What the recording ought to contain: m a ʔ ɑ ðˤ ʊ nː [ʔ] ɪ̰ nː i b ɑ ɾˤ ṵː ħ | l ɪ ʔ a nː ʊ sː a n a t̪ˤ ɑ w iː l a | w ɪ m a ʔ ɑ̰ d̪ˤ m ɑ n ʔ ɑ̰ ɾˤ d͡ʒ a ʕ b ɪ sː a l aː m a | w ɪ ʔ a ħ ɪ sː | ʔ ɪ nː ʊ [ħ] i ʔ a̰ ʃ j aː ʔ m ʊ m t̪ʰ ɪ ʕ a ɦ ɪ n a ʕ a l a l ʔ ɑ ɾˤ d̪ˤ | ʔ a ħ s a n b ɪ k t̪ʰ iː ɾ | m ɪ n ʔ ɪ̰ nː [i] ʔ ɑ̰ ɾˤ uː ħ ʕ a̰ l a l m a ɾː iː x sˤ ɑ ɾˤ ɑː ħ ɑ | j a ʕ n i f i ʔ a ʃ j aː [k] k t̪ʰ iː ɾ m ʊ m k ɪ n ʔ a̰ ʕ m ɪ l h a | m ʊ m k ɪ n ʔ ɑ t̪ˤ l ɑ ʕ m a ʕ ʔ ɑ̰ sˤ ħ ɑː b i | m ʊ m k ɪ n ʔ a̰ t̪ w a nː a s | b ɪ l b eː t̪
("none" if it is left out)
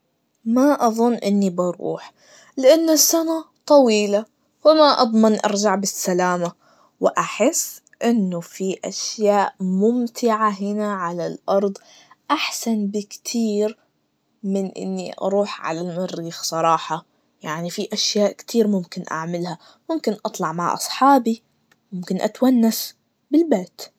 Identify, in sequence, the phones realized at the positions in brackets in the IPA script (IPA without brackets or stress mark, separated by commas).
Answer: ʔ, f, i, ʔ